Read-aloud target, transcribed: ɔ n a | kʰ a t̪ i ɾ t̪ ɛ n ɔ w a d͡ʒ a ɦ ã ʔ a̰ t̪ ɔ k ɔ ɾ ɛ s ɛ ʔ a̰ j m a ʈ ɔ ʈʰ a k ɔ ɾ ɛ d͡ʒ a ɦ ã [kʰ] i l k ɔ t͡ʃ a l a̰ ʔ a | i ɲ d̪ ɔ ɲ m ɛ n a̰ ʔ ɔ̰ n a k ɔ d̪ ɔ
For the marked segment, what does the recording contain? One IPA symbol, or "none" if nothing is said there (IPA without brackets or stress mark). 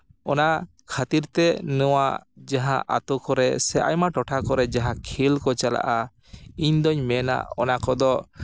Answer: kʰ